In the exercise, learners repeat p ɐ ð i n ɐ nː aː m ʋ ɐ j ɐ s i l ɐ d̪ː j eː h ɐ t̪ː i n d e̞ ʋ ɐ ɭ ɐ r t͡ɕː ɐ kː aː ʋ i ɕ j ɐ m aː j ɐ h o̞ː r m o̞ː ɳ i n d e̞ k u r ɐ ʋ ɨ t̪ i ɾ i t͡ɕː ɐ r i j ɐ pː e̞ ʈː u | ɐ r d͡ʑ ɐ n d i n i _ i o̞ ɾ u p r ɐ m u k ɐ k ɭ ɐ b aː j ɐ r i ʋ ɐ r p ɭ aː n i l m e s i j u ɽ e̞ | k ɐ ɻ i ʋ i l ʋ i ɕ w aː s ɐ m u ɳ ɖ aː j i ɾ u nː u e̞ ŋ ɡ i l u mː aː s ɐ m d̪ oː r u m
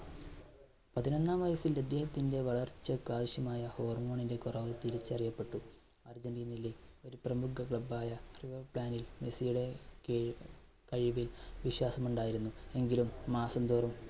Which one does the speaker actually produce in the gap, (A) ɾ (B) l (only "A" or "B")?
B